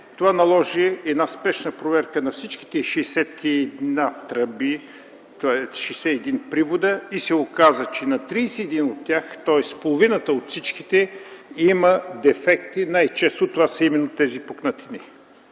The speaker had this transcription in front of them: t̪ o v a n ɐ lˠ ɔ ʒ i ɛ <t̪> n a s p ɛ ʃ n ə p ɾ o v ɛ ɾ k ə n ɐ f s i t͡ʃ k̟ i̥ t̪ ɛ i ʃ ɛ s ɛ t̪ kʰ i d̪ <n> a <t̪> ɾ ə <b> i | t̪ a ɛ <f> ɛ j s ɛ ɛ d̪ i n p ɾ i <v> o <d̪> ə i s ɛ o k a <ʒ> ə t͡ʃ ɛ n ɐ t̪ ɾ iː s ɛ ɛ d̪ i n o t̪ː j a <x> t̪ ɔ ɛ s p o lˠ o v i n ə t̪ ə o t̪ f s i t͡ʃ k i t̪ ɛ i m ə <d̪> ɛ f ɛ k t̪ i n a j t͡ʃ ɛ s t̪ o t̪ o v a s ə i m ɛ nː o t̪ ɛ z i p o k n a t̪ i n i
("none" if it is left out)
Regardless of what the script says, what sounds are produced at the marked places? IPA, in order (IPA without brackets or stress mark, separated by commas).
d̪, n, t̪, b, ʃ, v, d̪, z, x, d̪